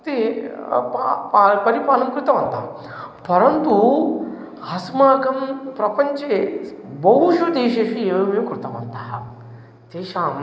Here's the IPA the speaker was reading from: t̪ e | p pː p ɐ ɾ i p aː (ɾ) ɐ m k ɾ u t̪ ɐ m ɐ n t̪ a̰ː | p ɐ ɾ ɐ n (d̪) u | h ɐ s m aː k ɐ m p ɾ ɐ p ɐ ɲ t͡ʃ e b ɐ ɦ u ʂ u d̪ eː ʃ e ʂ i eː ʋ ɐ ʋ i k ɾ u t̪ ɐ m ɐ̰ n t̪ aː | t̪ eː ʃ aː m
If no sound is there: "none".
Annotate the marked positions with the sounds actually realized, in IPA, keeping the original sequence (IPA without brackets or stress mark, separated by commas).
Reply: l, t̪